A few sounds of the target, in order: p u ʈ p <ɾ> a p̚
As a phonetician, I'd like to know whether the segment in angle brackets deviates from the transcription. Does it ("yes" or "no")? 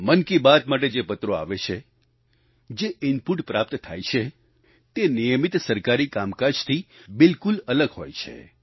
no